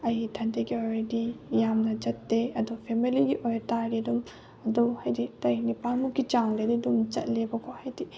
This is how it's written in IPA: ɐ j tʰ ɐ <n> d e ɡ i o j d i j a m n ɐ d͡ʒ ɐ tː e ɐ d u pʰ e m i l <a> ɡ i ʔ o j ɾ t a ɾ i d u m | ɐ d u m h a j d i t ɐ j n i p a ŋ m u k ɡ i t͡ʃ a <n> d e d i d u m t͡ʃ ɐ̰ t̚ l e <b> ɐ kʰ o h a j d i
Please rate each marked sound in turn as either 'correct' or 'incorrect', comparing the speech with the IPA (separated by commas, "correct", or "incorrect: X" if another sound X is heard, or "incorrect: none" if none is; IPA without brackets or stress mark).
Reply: correct, incorrect: i, incorrect: ŋ, correct